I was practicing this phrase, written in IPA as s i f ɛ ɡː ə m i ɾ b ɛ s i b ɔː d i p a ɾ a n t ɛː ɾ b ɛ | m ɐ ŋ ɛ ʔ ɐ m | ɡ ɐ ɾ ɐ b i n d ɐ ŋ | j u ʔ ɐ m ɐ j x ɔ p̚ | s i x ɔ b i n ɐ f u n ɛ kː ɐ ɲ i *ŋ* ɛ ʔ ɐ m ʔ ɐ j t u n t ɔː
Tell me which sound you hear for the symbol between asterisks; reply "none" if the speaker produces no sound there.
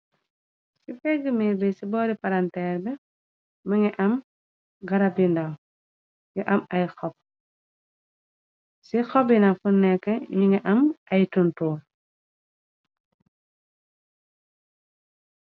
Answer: ŋ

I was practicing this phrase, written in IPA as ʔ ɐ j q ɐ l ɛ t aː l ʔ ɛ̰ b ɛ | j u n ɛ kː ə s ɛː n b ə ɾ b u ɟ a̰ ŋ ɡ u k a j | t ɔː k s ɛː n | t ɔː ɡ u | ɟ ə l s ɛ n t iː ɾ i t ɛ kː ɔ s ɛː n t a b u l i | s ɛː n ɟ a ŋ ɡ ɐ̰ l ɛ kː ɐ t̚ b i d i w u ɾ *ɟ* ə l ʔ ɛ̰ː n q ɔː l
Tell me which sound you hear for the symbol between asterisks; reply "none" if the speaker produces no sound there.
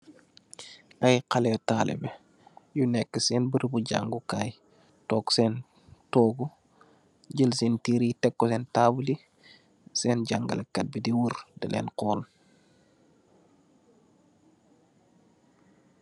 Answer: d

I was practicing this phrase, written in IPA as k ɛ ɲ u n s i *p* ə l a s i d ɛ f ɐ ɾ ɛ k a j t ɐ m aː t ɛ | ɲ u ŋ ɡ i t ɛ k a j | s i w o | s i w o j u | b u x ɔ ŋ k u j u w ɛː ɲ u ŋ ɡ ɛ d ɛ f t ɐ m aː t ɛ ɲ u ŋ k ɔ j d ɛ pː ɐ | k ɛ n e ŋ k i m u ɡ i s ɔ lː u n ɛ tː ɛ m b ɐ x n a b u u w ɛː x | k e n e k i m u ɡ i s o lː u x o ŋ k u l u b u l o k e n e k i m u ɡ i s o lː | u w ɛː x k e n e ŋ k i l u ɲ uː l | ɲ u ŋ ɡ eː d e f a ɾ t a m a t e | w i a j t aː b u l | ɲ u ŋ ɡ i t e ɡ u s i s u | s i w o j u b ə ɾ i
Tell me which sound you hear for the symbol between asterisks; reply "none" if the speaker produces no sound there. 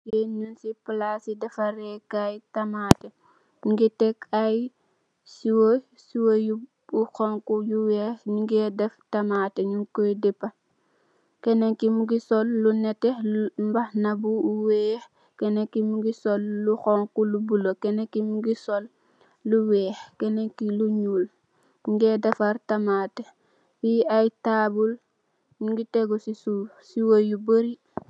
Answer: p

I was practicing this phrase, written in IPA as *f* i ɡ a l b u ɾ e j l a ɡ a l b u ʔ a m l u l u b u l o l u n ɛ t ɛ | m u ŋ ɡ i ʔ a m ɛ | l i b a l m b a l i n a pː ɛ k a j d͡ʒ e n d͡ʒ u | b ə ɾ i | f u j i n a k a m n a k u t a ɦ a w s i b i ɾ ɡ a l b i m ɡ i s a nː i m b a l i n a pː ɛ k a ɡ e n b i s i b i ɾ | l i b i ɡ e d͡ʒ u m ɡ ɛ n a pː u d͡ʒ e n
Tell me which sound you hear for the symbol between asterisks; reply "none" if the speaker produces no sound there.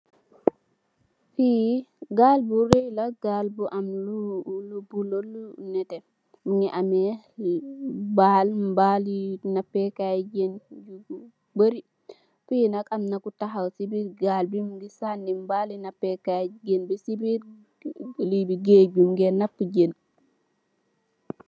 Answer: f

